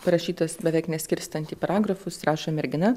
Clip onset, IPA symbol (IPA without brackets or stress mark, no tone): p